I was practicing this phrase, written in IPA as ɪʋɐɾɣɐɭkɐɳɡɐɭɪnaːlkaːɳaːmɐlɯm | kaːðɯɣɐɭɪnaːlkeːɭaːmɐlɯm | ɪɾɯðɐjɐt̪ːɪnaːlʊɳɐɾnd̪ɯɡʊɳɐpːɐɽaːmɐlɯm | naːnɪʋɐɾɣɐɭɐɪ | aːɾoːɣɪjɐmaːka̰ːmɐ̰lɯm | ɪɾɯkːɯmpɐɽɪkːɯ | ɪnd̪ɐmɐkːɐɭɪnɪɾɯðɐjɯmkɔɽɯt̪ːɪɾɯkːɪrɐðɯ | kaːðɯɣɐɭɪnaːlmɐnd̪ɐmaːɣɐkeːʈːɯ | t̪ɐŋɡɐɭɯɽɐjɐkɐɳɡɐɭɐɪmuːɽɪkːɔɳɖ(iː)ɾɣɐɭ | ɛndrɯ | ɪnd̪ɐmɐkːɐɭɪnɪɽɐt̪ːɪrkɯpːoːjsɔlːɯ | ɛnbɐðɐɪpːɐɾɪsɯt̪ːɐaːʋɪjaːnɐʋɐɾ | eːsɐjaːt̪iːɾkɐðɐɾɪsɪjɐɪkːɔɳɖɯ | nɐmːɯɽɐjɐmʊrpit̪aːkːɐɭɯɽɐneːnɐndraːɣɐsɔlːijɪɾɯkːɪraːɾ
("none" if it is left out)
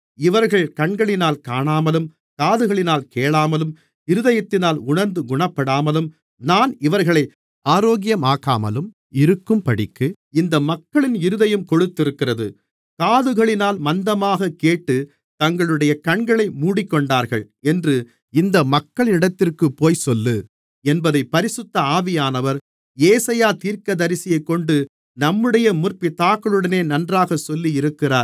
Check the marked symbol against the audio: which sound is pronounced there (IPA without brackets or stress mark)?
aː